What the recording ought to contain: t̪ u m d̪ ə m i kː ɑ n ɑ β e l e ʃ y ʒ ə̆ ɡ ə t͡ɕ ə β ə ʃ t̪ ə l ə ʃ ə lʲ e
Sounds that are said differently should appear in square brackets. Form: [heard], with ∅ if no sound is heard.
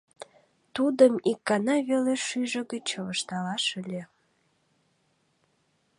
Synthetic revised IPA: t̪ u [∅] d̪ ə m i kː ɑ n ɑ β e l e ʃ y ʒ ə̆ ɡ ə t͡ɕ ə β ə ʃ t̪ [ɑ] l [ɑ] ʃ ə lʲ e